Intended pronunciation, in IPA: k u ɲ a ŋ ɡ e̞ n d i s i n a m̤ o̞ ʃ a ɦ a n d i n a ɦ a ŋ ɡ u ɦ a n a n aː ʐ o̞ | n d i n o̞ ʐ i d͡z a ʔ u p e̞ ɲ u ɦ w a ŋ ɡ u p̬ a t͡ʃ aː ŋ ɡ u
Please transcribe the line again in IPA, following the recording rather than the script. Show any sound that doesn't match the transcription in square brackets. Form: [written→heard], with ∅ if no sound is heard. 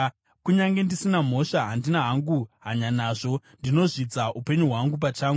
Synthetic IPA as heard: k u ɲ a ŋ ɡ e̞ n d i s i n a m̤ o̞ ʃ a ɦ a n d i n a ɦ a ŋ ɡ u ɦ a [n→ɲ] a n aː ʐ o̞ | n d i n o̞ ʐ i d͡z a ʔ u p e̞ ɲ u ɦ w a ŋ ɡ u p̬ a t͡ʃ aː ŋ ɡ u

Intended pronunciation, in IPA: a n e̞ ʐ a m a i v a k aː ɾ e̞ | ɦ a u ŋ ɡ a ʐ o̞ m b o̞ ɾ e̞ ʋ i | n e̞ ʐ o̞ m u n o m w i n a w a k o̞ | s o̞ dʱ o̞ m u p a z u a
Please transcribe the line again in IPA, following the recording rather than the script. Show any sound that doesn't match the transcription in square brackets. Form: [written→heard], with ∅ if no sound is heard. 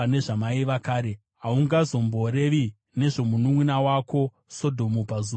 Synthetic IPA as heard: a n e̞ ʐ a m a i [v→ʋ] a k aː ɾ e̞ | ɦ a u ŋ ɡ a [ʐ→z] o̞ m b o̞ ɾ e̞ ʋ i | n e̞ ʐ o̞ m u n [o→u] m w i n a w a k o̞ | s o̞ dʱ o̞ m u p a z u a

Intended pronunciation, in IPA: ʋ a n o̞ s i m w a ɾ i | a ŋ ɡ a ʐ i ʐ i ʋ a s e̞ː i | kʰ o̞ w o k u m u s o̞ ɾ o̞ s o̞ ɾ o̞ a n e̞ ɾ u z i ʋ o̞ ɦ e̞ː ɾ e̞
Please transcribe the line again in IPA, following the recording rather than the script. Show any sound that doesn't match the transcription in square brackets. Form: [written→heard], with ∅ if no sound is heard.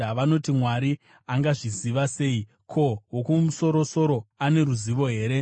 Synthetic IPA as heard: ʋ a n o̞ [s→t] i m w a ɾ i | a ŋ ɡ a ʐ i [ʐ→z] i ʋ a s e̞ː i | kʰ o̞ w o k u m u s o̞ ɾ o̞ s o̞ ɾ o̞ a n e̞ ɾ u z i ʋ o̞ ɦ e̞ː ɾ e̞

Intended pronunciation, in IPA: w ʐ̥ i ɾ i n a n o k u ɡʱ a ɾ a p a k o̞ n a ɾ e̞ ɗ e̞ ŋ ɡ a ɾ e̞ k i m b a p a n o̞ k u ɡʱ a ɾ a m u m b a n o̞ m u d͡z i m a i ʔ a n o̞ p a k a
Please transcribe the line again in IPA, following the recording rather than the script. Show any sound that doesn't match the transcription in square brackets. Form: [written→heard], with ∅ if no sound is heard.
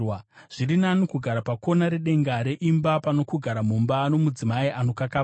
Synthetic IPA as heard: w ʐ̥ i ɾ i n a n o k u ɡʱ a ɾ a p a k o̞ n a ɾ e̞ ɗ e̞ ŋ ɡ a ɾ e̞ [k→ʔ] i m b a p a n o̞ k u ɡʱ a ɾ a m u m b a n o̞ m u d͡z i m a i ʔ a n o̞ [p→k] a k a

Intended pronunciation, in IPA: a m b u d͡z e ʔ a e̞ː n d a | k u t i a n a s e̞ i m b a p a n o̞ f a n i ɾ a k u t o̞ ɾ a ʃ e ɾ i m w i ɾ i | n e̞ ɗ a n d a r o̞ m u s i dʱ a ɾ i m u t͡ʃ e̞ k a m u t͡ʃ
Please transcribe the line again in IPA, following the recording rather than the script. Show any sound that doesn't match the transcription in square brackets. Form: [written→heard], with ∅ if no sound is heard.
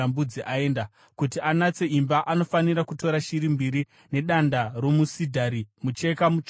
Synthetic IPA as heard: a m b u d͡z [e→i] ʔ a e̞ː n d a | k u t i a n a [s→t͡s] e̞ i m b a [p→ʔ] a n o̞ f a n i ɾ a k u t o̞ ɾ a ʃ [e→i] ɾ i m [w→b] i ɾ i | n e̞ ɗ a n d a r o̞ m u s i dʱ a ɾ i m u t͡ʃ e̞ k a m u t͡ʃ

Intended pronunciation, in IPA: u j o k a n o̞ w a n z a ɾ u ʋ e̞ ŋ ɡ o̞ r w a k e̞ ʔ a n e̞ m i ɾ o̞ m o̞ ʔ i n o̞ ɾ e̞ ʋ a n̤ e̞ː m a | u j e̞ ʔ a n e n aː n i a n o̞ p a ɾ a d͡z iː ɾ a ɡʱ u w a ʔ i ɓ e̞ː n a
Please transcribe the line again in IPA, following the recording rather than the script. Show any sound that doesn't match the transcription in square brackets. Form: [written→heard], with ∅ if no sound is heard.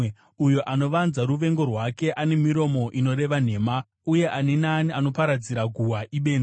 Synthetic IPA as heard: u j o [k→ʔ] a n o̞ [w→ʋ] a n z a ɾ u ʋ e̞ ŋ ɡ o̞ r w a k e̞ ʔ a n e̞ m i ɾ o̞ m o̞ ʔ i n o̞ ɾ e̞ ʋ a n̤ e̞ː m a | u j e̞ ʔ a n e n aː n i a n o̞ p a ɾ a d͡z [iː→i] ɾ a ɡʱ u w a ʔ i ɓ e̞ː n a

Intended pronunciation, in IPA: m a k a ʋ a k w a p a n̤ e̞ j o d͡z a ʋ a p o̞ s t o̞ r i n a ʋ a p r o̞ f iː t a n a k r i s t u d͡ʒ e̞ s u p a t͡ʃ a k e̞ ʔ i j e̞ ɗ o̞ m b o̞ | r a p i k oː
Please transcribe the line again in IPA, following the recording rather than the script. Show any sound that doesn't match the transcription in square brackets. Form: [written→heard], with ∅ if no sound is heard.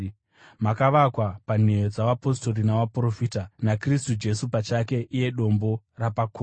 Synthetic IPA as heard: m a k a ʋ a k w a p a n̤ e̞ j o d͡z a ʋ a p o̞ s t o̞ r i n a ʋ a p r o̞ f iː t a n a k r i s t u d͡ʒ e̞ s u p a t͡ʃ a k e̞ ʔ i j e̞ ɗ o̞ m b o̞ | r a p [i→a] k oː

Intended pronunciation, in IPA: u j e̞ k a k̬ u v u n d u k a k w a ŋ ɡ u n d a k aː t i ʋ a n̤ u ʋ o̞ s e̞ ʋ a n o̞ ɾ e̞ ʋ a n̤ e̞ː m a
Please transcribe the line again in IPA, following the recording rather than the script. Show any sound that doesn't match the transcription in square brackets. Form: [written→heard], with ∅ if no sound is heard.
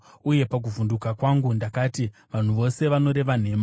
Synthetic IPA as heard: u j e̞ [k→p] a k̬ u v u n d u k a k w a ŋ ɡ u n d a k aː t i ʋ a n̤ u ʋ o̞ s e̞ ʋ a n o̞ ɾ e̞ ʋ a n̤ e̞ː m a

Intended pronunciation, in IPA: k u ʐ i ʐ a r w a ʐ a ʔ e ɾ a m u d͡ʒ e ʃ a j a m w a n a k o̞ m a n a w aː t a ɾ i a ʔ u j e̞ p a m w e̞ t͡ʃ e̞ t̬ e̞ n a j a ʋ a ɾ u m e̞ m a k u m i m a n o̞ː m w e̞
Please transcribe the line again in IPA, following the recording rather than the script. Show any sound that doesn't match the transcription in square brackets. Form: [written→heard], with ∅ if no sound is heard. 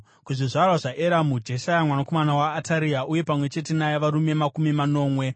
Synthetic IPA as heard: k u ʐ i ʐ a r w a ʐ a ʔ e ɾ a m u d͡ʒ e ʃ a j a m w a n a k o̞ m a n a w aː t a ɾ i a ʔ u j e̞ p a m w e̞ t͡ʃ e̞ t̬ e̞ n a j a ʋ a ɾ u m e̞ m a k u m i m a n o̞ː m w e̞

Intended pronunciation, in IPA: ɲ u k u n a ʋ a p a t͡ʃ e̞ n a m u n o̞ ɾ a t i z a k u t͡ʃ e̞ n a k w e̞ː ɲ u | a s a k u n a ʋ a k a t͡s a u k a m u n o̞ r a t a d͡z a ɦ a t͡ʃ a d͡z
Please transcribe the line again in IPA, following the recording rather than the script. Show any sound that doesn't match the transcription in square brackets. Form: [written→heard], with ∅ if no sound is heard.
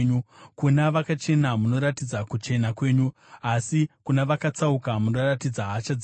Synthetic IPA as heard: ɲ u k u n a ʋ a [p→k] a t͡ʃ e̞ n a m u n o̞ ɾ a t i [z→d͡z] a k u t͡ʃ e̞ n a k w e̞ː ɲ u | a s [a→i] k u n a ʋ a k a t͡s a u k a m u n o̞ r a t [a→i] d͡z a ɦ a t͡ʃ a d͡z

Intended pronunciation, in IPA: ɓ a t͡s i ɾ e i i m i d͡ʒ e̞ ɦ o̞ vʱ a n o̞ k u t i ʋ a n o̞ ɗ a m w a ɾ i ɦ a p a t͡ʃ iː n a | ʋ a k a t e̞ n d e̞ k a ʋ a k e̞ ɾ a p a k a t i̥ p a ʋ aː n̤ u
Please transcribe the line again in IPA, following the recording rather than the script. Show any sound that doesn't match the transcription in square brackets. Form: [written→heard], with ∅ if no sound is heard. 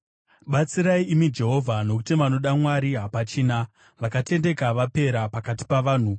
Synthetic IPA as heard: ɓ a t͡s i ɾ [e→a] i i m i d͡ʒ e̞ ɦ o̞ vʱ a n o̞ k u t i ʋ a n o̞ ɗ a m w a ɾ i ɦ a p a t͡ʃ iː n a | ʋ a k a t e̞ n d e̞ k a ʋ a [k→p] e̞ ɾ a p a k a t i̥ p a ʋ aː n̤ u

